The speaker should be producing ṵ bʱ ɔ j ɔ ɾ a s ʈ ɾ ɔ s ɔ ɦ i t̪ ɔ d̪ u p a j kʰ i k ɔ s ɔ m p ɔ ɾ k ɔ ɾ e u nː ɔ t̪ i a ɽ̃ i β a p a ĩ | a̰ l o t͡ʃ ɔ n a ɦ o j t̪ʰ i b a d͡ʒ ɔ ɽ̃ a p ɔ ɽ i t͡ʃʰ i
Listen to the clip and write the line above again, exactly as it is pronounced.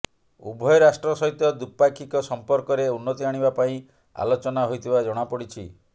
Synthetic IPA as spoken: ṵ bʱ ɔ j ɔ ɾ a s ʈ ɾ ɔ s ɔ ɦ i t̪ ɔ d̪ u p a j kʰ i k ɔ s ɔ m p ɔ ɾ k ɔ ɾ e u nː ɔ t̪ i a ɽ̃ i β a p a ĩ | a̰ l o t͡ʃ ɔ n a ɦ o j t̪ʰ i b a d͡ʒ ɔ ɽ̃ a p ɔ ɽ i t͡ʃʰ i

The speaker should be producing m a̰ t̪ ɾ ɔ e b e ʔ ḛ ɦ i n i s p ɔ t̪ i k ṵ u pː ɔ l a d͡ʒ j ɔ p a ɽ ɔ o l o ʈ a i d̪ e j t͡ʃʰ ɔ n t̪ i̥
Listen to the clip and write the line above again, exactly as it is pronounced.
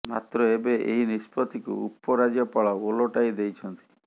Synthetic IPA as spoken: m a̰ t̪ ɾ ɔ e b e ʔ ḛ ɦ i n i s p ɔ t̪ i k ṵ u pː ɔ ɾ a d͡ʒ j ɔ p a ɭ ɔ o l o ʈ a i d̪ e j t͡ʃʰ ɔ n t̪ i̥

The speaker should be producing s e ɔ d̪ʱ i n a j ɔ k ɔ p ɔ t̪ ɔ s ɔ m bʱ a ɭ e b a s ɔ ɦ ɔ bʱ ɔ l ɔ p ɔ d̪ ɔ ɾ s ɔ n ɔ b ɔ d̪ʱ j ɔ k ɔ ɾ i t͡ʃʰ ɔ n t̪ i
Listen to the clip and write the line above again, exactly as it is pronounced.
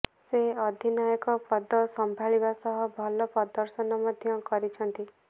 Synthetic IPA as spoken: s e ɔ d̪ʱ i n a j ɔ k ɔ p ɔ d̪ ɔ s ɔ m bʱ a ɭ i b a s ɔ ɦ ɔ bʱ ɔ l ɔ p ɔ d̪ ɔ ɾ s ɔ n ɔ m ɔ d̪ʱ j ɔ k ɔ ɾ i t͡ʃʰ ɔ n t̪ i

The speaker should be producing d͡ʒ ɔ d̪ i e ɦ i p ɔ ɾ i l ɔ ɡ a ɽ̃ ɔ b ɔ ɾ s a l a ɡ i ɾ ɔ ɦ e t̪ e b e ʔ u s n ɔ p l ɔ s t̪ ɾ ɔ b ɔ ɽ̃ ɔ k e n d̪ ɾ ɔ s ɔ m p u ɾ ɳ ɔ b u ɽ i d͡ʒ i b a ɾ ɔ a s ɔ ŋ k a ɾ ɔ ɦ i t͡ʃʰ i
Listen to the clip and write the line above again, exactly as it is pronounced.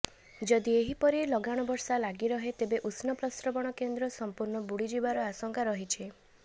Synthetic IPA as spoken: d͡ʒ ɔ d̪ i e ɦ i p ɔ ɾ i l ɔ ɡ a ɽ̃ ɔ b ɔ ɾ s a l a ɡ i ɾ ɔ ɦ e t̪ e b e ʔ u s n ɔ p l ɔ s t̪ ɾ ɔ b ɔ ɽ̃ ɔ k e n d̪ ɾ ɔ s ɔ m p u ɾ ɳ ɔ b u ɽ i d͡ʒ i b a ɾ ɔ a s ɔ ŋ k a ɾ ɔ ɦ i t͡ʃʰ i

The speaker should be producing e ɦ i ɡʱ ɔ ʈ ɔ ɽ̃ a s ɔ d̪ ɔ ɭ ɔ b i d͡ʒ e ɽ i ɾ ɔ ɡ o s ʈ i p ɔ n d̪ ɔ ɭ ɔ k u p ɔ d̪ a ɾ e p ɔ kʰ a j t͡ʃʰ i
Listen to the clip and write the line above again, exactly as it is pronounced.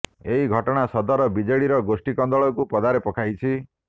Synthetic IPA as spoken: e ɦ i ɡʱ ɔ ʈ ɔ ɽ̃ a s ɔ d̪ ɔ ɾ ɔ b i d͡ʒ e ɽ i ɾ ɔ ɡ o s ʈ i k ɔ n d̪ ɔ ɭ ɔ k u p ɔ d̪ a ɾ e p ɔ kʰ a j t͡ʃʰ i

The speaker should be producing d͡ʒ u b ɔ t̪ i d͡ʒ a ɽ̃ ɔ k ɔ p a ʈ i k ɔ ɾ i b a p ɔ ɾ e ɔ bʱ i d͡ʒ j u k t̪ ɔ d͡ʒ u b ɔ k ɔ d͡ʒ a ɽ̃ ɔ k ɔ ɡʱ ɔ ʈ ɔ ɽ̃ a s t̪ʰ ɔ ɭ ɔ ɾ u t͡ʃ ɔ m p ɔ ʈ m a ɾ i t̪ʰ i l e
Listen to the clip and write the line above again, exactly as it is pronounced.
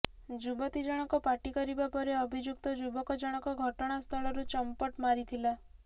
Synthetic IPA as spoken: d͡ʒ u b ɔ t̪ i d͡ʒ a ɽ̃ ɔ k ɔ p a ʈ i k ɔ ɾ i b a p ɔ ɾ e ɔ bʱ i d͡ʒ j u k t̪ ɔ d͡ʒ u b ɔ k ɔ d͡ʒ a ɽ̃ ɔ k ɔ ɡʱ ɔ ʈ ɔ ɽ̃ a s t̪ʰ ɔ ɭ ɔ ɾ u t͡ʃ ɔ m p ɔ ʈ m a ɾ i t̪ʰ i l a

